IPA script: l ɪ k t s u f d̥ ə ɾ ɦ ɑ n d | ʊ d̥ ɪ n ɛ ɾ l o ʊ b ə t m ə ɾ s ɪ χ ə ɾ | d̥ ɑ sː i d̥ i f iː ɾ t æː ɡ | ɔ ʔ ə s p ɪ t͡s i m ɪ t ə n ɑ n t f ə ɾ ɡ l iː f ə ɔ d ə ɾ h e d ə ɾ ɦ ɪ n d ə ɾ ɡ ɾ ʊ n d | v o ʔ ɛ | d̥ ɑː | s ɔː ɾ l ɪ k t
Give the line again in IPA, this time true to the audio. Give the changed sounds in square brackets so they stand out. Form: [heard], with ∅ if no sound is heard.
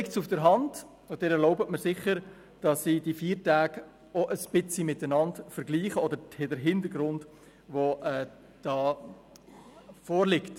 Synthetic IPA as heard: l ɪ k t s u f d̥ ə ɾ ɦ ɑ n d | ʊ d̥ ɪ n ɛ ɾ l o ʊ b ə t m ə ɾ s ɪ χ ə ɾ | d̥ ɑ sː i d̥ i f iː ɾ t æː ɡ | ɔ ʔ ə s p ɪ t͡s i m ɪ t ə n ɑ n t f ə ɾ ɡ l iː [χ] ə ɔ d ə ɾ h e d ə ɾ ɦ ɪ n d ə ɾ ɡ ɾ ʊ n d | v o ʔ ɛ | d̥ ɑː | [f] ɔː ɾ l ɪ k t